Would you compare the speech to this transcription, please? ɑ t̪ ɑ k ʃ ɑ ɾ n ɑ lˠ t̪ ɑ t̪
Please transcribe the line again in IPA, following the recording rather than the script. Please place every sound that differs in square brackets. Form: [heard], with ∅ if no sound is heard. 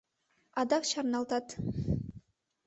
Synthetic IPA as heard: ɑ [d̪] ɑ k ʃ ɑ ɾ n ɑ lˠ t̪ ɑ t̪